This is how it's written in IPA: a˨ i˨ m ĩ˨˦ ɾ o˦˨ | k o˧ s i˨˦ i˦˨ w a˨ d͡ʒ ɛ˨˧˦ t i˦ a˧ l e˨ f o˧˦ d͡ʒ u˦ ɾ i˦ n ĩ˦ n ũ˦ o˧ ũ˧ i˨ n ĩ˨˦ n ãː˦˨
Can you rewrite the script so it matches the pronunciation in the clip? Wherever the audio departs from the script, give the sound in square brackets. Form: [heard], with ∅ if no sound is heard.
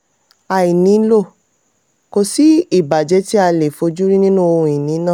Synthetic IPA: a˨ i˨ [n] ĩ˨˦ [l] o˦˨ | k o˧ s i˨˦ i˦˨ [b] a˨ d͡ʒ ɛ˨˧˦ t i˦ a˧ l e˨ f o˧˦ d͡ʒ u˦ ɾ i˦ n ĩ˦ n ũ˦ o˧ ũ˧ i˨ n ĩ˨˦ n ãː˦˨